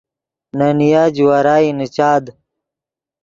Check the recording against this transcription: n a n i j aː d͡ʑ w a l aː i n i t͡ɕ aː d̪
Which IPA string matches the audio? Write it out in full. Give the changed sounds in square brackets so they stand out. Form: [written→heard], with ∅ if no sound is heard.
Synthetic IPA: n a n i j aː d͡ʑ w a [l→ɾ] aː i n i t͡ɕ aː d̪